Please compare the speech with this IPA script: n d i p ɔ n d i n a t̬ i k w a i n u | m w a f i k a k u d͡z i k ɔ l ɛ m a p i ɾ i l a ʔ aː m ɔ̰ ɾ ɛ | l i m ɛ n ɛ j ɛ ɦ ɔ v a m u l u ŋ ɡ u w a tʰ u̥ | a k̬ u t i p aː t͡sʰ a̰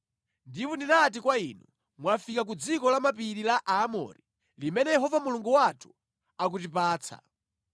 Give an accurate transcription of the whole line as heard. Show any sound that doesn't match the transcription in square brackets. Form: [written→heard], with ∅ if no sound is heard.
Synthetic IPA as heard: n d i p ɔ n d i n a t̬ i k w a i n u | m w a f i k a k u d͡z i k ɔ l [ɛ→a] m a p i ɾ i l a ʔ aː m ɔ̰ ɾ [ɛ→i] | l i m ɛ n ɛ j ɛ ɦ ɔ v a m u l u ŋ ɡ u w a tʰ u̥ | a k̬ u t i p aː t͡sʰ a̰